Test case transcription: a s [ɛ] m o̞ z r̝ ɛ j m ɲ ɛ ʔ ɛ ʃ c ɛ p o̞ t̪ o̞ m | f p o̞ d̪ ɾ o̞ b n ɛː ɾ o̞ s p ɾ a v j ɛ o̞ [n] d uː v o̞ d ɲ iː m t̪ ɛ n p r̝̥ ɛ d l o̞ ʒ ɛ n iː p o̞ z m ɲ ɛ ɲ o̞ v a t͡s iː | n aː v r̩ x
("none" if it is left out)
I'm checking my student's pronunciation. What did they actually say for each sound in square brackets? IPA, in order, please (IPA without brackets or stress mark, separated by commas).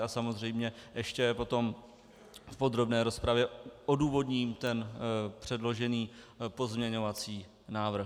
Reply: a, none